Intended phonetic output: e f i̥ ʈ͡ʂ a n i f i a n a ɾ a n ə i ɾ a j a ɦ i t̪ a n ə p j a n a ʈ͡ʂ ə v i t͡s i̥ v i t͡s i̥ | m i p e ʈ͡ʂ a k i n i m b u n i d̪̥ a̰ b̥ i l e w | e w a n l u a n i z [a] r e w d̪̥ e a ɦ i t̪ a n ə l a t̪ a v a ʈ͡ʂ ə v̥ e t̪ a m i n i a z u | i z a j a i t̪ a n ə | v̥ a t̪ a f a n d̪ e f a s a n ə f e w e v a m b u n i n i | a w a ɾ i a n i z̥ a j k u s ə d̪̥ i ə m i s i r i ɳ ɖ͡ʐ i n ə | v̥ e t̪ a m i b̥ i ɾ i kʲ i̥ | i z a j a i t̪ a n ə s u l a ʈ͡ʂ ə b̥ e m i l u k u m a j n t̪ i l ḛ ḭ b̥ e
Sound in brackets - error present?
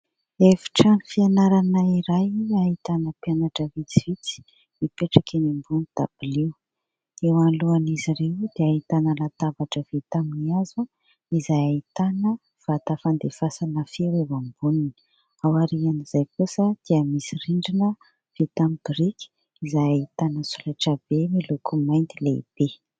yes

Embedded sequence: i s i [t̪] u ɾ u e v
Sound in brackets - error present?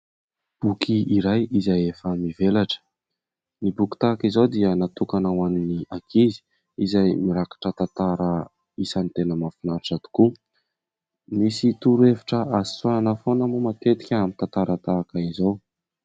no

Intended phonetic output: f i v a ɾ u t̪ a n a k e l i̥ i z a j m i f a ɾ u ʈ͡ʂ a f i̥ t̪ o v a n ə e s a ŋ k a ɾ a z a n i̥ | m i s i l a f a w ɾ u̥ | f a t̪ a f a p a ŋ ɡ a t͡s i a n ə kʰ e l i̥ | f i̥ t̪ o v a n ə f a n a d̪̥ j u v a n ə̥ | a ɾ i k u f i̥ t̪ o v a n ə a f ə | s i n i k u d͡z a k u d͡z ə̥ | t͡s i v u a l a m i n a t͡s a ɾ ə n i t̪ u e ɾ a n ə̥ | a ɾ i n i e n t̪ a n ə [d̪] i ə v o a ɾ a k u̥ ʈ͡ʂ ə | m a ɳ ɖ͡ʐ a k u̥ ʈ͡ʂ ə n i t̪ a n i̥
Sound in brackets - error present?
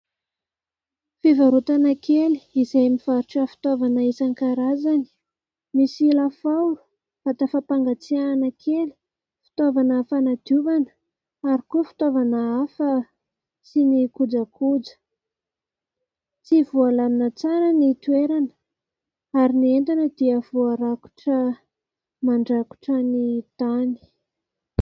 no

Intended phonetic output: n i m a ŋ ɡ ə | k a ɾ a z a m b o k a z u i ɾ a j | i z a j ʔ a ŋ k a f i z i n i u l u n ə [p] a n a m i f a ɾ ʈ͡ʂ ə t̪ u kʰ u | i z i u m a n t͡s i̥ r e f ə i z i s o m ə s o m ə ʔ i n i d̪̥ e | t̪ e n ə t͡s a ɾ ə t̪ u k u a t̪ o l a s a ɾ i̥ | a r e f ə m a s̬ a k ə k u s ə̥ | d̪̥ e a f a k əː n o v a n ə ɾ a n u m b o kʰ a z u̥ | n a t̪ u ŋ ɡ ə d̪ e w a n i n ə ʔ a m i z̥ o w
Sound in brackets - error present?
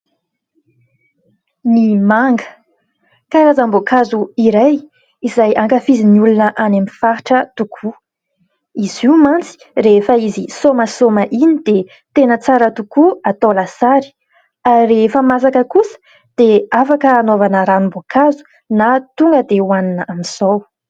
yes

